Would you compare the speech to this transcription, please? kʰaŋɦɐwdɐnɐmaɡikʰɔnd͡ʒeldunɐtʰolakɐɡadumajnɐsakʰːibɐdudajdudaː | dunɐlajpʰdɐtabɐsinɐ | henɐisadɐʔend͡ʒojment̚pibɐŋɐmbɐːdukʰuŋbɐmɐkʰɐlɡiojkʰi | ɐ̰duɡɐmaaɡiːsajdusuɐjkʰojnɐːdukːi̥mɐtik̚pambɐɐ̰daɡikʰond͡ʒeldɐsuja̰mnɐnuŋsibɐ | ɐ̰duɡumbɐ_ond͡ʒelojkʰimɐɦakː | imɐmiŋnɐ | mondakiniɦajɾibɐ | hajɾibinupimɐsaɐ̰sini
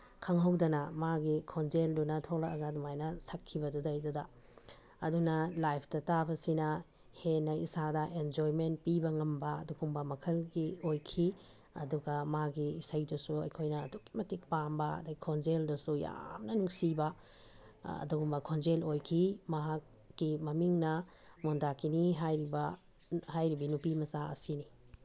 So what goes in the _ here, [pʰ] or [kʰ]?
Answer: kʰ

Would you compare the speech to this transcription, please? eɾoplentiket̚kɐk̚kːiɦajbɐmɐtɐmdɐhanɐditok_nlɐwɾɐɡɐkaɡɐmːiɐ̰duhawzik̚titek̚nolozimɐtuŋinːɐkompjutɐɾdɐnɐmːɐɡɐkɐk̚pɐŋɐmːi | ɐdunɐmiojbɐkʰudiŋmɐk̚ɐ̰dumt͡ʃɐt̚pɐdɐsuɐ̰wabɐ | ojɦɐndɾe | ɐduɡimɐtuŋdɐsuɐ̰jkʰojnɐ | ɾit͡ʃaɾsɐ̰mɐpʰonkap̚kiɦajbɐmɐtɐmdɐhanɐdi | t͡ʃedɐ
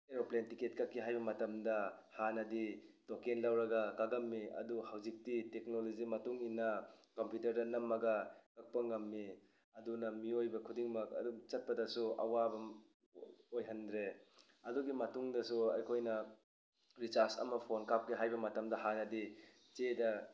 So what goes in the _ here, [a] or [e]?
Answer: e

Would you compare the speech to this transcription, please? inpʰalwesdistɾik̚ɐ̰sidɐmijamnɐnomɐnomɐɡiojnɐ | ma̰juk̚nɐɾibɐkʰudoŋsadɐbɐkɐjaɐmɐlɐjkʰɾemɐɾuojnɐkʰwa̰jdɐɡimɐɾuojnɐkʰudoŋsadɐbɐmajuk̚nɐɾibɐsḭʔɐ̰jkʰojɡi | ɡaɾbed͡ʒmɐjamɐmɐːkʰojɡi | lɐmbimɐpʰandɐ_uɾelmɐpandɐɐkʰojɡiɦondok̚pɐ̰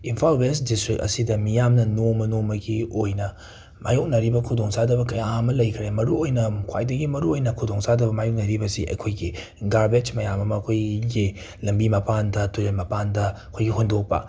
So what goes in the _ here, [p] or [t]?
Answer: t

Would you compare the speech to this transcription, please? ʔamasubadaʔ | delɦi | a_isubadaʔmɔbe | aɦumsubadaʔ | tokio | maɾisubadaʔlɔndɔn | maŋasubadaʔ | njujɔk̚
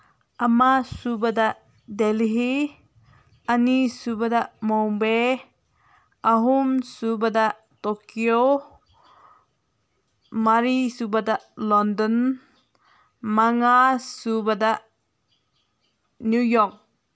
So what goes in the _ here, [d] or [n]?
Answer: n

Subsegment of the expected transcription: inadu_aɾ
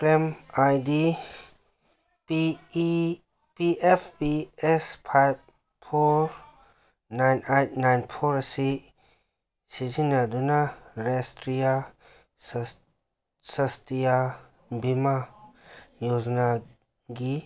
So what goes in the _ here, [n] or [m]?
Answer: n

